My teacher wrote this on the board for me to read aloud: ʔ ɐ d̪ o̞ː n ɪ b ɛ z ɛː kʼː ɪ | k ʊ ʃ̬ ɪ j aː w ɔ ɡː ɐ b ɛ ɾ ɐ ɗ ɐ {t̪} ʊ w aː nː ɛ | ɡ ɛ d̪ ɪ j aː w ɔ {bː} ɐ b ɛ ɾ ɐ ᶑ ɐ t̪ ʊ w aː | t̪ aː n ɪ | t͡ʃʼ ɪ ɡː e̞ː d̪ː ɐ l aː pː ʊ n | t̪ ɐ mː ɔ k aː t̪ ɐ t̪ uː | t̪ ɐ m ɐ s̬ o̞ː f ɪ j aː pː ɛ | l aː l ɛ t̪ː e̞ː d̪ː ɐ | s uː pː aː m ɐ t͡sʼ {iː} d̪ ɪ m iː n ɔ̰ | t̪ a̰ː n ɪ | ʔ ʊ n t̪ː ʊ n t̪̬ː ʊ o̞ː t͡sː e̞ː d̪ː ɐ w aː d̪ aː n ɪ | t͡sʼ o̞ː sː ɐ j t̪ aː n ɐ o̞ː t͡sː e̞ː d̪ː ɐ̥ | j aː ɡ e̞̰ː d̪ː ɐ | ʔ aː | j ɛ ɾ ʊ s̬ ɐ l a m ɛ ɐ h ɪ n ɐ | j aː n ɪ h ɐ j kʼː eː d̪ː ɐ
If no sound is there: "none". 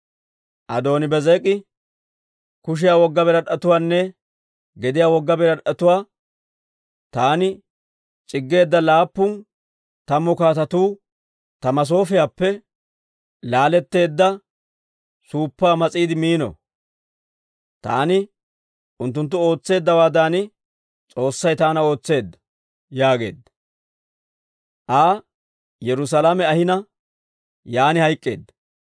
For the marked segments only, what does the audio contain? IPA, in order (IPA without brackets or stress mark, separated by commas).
t̪, ɡː, iː